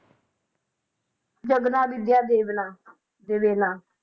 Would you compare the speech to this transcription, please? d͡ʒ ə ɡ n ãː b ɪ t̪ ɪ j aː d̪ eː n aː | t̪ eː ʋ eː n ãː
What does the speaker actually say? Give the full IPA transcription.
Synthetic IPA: d͡ʒ ə ɡ n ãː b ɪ d̪ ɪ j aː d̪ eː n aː | d̪ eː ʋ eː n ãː